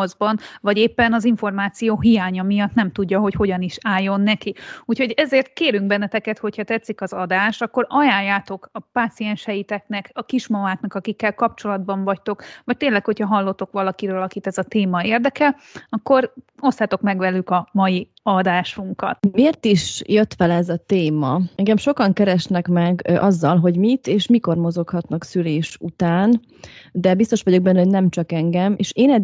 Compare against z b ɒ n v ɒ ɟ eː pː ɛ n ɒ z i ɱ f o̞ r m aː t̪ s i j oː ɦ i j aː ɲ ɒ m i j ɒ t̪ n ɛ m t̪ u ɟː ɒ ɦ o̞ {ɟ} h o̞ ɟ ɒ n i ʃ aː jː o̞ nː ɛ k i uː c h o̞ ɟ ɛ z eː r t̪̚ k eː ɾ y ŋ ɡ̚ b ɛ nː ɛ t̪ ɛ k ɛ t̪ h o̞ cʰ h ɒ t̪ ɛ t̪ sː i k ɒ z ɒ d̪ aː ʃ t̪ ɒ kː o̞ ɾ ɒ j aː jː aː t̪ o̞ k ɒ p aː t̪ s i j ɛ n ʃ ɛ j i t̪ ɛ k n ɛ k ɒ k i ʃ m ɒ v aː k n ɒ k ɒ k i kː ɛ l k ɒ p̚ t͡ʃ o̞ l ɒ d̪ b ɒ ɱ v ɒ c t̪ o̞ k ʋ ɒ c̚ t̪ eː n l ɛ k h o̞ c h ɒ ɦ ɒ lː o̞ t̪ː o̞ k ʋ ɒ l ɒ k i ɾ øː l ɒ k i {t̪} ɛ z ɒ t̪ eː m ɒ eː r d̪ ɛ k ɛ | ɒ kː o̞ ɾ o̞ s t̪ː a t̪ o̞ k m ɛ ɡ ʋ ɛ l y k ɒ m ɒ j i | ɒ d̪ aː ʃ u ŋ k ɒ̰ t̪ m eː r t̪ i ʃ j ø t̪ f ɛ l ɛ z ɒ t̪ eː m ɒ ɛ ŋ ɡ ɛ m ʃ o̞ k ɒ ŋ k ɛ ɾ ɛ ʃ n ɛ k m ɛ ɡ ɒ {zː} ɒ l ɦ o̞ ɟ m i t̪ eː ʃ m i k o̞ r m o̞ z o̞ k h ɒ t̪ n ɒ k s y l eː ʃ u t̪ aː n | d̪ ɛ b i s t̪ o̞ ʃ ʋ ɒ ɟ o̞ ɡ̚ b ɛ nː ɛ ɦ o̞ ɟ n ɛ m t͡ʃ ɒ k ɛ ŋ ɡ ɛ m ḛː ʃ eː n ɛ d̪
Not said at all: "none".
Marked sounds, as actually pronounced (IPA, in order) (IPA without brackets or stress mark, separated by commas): c, t̪, zː